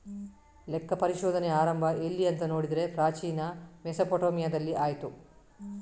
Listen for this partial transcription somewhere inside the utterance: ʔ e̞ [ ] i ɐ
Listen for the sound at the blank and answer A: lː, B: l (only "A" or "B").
A